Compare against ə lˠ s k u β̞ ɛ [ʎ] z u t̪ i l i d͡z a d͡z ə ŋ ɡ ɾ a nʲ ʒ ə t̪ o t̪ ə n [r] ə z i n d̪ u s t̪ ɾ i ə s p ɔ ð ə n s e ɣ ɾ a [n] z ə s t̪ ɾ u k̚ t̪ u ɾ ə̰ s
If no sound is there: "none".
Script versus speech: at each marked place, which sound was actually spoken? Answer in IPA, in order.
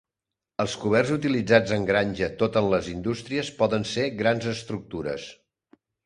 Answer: r, l, n

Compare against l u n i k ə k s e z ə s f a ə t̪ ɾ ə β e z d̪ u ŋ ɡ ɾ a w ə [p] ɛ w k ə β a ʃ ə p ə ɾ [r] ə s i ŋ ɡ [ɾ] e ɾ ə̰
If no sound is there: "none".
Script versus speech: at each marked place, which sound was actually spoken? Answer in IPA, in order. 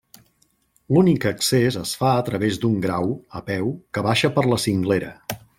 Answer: p, l, l

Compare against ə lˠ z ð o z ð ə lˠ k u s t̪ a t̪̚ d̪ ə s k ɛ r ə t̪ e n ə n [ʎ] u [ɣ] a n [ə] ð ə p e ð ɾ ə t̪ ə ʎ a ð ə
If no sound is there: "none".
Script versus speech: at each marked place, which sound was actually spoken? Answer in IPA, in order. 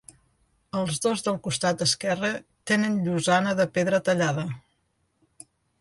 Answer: ʎ, z, ə

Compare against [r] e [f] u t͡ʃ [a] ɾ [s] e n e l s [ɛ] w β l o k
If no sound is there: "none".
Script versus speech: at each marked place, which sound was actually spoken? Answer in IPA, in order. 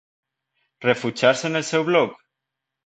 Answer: r, f, a, s, e

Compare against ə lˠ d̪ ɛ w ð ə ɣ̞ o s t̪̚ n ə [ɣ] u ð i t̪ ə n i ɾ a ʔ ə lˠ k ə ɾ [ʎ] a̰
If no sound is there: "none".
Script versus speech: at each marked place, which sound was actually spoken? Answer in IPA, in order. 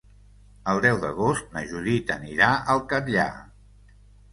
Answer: ʒ, ʎ

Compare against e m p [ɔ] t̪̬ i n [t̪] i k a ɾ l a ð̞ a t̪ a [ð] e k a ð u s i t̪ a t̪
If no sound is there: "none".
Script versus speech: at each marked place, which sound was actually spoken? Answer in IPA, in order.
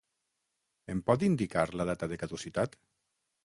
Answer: ɔ, d̪, ð

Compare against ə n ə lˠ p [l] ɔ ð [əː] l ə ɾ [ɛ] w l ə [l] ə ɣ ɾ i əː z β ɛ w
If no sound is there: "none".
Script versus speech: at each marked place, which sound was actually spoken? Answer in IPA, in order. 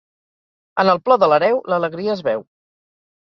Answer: l, ə, ɛ, l

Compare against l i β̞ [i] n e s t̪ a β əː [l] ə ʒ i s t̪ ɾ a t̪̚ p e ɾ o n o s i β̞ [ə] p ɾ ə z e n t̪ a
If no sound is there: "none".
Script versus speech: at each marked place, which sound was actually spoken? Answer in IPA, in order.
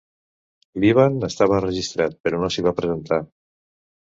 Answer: a, r, a

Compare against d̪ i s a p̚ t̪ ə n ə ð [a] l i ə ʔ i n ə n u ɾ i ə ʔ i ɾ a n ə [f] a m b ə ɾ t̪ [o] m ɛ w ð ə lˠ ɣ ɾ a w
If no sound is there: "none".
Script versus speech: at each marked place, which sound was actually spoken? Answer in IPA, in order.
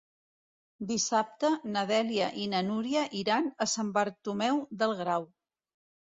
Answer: ɛ, s, u

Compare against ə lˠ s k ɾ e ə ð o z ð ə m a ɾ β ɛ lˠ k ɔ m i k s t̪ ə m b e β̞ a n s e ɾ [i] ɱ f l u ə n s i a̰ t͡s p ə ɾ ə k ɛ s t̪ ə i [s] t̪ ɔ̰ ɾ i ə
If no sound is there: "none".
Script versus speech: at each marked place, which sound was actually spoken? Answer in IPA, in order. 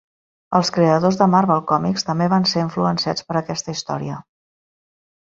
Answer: i, s

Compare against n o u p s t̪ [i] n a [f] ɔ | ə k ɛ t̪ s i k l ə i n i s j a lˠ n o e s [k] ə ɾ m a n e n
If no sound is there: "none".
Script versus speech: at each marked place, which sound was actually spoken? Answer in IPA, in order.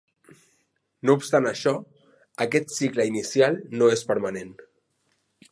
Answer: a, ʃ, p

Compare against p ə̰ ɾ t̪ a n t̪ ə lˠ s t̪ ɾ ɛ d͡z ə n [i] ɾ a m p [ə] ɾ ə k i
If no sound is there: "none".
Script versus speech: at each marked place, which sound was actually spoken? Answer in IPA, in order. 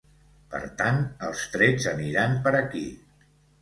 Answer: i, ə

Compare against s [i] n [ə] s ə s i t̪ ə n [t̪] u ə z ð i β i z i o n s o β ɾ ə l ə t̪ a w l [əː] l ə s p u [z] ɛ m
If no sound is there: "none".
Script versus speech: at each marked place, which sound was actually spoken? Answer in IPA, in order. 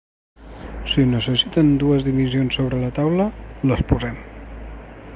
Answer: i, ə, d̪, ə, z

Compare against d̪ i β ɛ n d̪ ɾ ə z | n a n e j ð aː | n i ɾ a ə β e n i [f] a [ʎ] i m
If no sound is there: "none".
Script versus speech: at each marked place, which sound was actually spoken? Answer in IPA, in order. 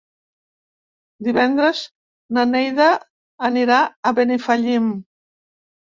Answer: f, ʎ

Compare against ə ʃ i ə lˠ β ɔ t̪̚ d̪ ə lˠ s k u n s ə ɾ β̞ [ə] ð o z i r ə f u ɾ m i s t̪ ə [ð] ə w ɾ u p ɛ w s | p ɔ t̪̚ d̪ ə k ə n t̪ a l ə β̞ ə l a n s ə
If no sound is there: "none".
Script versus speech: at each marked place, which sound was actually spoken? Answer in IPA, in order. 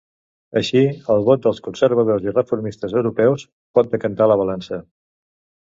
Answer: ə, z

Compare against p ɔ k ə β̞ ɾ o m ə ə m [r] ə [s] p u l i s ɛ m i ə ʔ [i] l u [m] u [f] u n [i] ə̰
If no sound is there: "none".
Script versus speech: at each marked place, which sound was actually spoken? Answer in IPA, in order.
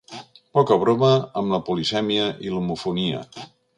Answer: l, none, i, m, f, i

